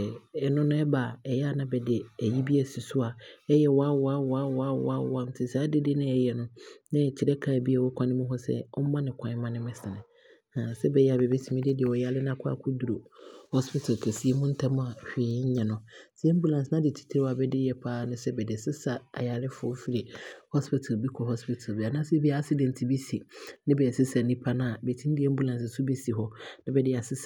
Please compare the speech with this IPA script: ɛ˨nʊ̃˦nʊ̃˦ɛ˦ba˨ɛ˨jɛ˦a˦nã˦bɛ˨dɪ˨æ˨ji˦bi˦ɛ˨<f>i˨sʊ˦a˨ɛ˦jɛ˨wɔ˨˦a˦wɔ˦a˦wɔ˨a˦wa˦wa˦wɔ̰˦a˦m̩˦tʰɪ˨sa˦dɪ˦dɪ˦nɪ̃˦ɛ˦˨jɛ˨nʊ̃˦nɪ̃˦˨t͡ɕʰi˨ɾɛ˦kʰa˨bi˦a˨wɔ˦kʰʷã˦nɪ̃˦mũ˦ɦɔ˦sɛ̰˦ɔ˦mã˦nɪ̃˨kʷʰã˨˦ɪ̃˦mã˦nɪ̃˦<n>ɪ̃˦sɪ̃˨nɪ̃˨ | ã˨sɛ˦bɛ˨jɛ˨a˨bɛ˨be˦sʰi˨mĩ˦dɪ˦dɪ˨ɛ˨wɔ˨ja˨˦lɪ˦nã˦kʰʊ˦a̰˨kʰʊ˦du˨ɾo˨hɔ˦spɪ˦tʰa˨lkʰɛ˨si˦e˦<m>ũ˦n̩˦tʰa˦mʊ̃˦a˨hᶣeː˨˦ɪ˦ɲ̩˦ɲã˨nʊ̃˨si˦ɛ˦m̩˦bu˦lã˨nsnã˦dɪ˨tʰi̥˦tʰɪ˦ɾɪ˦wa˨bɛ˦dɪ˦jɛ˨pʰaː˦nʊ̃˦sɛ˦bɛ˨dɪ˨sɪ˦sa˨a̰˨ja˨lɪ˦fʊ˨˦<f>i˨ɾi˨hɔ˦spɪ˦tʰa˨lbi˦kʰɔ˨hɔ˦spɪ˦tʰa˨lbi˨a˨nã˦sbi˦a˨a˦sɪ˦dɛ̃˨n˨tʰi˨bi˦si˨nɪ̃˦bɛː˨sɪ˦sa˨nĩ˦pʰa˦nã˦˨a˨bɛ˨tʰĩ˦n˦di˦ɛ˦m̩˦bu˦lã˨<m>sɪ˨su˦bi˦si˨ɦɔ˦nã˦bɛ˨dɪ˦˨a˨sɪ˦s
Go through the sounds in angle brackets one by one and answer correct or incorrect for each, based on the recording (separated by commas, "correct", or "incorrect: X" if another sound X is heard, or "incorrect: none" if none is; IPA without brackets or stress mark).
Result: incorrect: s, incorrect: m, correct, correct, incorrect: n